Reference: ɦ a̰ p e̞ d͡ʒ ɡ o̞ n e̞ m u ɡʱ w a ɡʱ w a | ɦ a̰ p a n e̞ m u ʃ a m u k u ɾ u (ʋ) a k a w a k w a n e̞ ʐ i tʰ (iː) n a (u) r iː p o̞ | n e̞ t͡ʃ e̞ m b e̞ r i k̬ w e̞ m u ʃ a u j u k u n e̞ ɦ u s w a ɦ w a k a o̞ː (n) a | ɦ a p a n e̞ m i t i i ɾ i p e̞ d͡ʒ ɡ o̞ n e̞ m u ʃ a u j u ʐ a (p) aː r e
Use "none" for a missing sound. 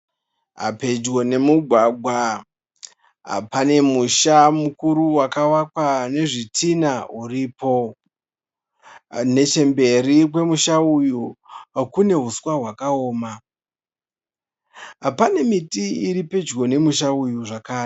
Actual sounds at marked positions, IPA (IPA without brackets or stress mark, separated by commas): w, i, u, m, k